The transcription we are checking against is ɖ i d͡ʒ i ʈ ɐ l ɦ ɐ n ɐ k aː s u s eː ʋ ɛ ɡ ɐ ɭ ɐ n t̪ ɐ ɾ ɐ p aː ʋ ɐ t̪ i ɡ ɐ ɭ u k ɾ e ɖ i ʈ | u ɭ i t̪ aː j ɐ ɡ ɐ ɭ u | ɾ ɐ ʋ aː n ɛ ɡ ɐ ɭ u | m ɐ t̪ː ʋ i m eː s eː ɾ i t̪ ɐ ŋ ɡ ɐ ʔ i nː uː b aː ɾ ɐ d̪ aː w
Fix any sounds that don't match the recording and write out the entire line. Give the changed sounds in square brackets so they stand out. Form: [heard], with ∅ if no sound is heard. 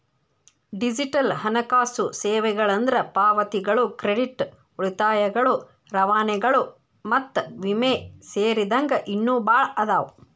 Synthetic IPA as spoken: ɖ i d͡ʒ i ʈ ɐ l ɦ ɐ n ɐ k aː s u s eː ʋ ɛ ɡ ɐ ɭ ɐ n [d̪] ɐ ɾ ɐ p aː ʋ ɐ t̪ i ɡ ɐ ɭ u k ɾ e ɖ i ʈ | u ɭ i t̪ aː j ɐ ɡ ɐ ɭ u | ɾ ɐ ʋ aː n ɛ ɡ ɐ ɭ u | m ɐ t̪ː ʋ i m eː s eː ɾ i [d̪] ɐ ŋ ɡ ɐ ʔ i nː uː b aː [ɭ] ɐ d̪ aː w